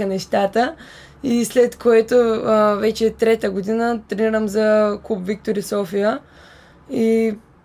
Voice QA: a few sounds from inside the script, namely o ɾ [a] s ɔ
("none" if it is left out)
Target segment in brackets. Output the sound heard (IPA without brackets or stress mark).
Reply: i